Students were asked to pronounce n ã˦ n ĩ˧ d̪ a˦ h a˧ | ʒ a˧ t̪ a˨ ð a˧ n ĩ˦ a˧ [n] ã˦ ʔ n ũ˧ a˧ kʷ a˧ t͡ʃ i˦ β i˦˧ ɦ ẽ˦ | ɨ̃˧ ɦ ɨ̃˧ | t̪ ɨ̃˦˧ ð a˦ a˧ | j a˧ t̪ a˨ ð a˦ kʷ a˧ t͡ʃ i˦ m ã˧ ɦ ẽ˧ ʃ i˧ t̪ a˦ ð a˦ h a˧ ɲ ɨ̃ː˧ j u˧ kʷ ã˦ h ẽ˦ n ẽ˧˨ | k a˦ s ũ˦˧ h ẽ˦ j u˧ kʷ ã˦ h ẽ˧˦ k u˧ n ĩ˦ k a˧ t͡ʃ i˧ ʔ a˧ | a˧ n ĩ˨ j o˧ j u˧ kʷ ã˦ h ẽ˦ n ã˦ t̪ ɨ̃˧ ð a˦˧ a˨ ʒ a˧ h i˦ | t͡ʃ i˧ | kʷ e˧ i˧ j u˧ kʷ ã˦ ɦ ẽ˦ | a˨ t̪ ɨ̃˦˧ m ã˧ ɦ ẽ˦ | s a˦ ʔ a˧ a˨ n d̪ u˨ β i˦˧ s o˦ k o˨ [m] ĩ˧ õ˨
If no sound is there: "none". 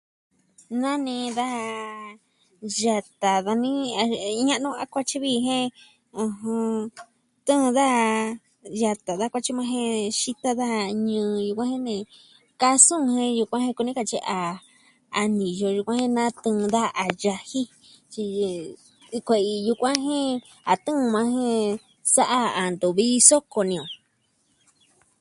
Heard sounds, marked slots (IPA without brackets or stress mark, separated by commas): ɲ, n